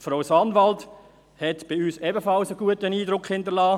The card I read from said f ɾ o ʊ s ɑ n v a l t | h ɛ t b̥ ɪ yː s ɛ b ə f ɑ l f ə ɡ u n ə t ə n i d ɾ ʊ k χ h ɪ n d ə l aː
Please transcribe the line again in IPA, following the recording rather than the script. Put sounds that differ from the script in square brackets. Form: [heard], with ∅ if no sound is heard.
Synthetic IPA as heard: f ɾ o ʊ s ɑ n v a l t | h ɛ t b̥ ɪ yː s ɛ b ə f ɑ l [s] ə ɡ u [∅] ə t ə n [iː] d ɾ ʊ k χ h ɪ n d ə l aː